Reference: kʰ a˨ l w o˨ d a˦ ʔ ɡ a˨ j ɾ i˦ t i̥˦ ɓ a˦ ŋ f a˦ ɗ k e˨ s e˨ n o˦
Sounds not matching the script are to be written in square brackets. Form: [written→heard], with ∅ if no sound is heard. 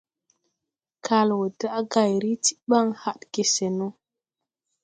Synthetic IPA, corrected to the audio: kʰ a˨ l w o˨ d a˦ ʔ ɡ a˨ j ɾ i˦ t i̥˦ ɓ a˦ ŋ [f→h] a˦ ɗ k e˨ s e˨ n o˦